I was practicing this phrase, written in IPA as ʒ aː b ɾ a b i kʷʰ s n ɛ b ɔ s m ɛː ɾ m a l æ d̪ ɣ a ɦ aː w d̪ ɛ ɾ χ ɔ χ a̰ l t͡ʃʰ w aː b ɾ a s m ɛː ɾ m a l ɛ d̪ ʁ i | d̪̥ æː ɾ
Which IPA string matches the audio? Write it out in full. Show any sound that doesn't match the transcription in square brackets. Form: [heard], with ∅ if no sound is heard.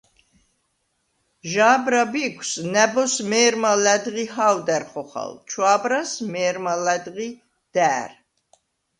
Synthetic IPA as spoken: ʒ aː b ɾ a b i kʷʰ s n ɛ b ɔ s m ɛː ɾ m a l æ d̪ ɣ [i] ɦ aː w d̪ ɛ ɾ χ ɔ χ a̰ l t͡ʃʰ w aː b ɾ a s m ɛː ɾ m a l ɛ d̪ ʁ i | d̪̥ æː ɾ